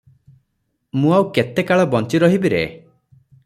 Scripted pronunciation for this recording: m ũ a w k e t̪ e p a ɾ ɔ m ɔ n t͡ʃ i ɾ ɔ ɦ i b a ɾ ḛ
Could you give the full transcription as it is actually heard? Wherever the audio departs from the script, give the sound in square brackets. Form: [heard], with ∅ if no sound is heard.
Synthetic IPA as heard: m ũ a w k e t̪ e [k] a [ɭ] ɔ [b] ɔ n t͡ʃ i ɾ ɔ ɦ i b [i] ɾ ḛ

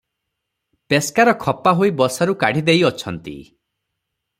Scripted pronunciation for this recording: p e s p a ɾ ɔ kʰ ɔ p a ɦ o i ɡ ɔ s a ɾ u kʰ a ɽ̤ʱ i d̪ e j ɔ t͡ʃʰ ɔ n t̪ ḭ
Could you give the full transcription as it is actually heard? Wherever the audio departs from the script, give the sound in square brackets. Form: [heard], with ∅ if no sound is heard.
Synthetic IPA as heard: p e s [k] a ɾ ɔ kʰ ɔ p a ɦ o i [b] ɔ s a ɾ u [k] a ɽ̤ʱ i d̪ e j ɔ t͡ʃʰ ɔ n t̪ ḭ

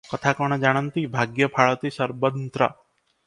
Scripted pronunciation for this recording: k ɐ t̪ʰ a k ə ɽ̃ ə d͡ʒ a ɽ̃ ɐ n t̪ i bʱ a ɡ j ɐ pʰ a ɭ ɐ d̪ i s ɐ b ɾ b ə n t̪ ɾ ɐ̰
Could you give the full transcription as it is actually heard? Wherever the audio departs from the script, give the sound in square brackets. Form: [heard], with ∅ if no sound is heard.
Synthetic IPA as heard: k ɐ t̪ʰ a k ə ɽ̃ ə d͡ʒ a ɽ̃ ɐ n t̪ i bʱ a ɡ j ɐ pʰ a ɭ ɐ [t̪] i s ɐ [∅] ɾ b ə n t̪ ɾ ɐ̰

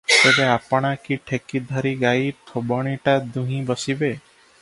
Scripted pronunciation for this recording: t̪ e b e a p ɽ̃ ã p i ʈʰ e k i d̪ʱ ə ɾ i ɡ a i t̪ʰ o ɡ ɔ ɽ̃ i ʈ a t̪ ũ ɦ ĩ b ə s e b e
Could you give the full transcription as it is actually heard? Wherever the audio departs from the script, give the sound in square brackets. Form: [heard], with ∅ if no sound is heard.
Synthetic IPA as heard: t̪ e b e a p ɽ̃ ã [k] i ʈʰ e k i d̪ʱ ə ɾ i ɡ a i t̪ʰ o [b] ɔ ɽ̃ i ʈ a [d̪] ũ ɦ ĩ b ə s [i] b e

